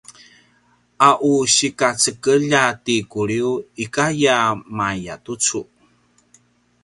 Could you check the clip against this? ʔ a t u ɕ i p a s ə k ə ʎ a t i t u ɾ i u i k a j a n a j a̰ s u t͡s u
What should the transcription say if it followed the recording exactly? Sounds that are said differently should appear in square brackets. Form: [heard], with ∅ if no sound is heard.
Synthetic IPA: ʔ a [ʔ] u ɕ i [k] a [t͡s] ə k ə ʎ a t i [k] u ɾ i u i k a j a [m] a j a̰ [t] u t͡s u